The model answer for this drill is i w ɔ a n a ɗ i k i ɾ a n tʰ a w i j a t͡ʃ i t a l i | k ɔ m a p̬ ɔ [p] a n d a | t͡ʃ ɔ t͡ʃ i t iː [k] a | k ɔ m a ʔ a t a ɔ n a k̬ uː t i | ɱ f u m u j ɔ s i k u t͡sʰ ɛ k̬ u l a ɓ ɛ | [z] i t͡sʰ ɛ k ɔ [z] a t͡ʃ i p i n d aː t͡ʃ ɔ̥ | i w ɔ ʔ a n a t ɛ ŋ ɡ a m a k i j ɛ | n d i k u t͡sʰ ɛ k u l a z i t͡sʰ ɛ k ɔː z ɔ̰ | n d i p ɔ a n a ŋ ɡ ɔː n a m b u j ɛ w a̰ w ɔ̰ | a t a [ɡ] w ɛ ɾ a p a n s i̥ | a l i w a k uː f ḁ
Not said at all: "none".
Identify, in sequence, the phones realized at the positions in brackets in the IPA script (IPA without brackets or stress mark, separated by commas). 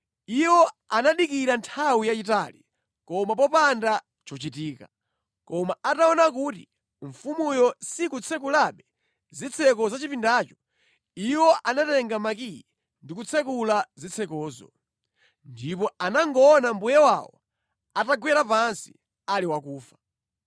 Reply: p, k, z, z, ɡ